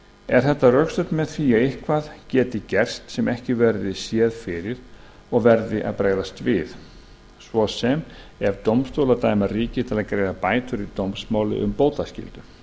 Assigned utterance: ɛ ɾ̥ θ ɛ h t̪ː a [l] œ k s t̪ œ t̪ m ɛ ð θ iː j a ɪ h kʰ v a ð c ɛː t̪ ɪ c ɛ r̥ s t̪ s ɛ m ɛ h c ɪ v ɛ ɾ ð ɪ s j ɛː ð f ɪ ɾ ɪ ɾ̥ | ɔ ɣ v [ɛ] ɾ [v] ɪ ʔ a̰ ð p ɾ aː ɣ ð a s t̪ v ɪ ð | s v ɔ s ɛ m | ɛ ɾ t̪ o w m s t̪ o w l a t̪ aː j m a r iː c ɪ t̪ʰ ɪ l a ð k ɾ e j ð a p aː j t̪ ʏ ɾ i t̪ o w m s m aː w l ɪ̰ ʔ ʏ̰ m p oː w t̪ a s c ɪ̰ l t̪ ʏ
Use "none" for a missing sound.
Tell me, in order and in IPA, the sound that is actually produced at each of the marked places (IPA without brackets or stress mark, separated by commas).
r, ɛ, ð